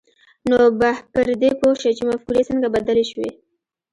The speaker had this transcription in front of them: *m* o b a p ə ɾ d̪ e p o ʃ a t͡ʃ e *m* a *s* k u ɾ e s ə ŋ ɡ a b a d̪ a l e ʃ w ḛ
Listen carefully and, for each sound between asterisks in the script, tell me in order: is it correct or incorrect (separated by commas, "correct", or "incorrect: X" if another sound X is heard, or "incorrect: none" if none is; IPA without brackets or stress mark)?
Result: incorrect: n, correct, incorrect: f